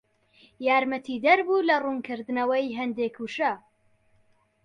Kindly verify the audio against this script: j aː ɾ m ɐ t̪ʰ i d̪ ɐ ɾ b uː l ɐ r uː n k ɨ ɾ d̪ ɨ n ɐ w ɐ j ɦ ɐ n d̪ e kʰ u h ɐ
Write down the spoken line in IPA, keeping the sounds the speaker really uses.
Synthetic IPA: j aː ɾ m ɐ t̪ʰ i d̪ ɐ ɾ b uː l ɐ r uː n k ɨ ɾ d̪ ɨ n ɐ w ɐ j ɦ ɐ n d̪ e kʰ u ʃ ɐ